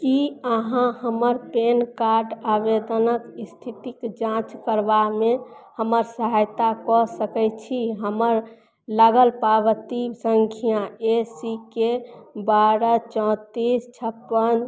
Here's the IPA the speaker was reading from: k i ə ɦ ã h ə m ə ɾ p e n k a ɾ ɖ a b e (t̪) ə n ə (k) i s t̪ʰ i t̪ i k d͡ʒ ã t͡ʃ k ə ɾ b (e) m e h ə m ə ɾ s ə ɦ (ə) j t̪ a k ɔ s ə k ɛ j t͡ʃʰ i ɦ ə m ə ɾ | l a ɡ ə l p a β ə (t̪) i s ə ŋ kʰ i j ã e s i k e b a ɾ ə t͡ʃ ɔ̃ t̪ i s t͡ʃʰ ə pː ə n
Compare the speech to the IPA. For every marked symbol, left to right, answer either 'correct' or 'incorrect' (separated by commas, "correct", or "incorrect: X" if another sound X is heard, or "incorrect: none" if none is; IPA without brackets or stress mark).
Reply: incorrect: d̪, correct, incorrect: a, incorrect: a, correct